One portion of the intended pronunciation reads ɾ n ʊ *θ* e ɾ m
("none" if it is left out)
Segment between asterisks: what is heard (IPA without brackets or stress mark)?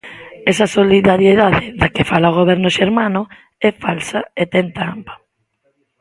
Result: ʃ